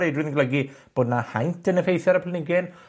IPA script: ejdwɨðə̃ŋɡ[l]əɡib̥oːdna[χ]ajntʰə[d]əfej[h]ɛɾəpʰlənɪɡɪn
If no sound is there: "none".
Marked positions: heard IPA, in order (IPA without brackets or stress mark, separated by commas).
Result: l, h, n, θ